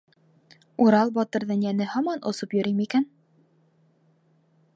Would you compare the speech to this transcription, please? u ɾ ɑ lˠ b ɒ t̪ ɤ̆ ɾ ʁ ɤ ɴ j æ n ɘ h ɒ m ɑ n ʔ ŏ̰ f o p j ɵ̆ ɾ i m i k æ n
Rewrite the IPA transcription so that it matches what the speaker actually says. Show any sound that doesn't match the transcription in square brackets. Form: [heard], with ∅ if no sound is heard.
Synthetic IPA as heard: u ɾ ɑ lˠ b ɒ t̪ ɤ̆ ɾ [ð] ɤ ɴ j æ n ɘ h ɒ m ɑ n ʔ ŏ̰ [s] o p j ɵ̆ ɾ i m i k æ n

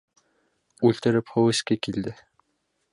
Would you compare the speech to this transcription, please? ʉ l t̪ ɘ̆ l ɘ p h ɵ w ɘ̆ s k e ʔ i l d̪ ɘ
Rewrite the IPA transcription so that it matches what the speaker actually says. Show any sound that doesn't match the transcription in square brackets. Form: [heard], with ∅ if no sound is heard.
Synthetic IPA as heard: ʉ l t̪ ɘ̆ [ɾ] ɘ p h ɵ w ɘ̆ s k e [k] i l d̪ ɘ

